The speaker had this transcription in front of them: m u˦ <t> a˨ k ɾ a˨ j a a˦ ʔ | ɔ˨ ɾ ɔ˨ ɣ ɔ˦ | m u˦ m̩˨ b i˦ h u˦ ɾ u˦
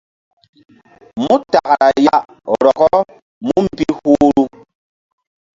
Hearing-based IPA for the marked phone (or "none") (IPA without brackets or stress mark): t